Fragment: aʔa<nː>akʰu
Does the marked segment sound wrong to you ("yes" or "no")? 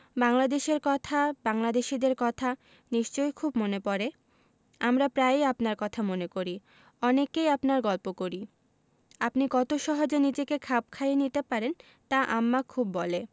yes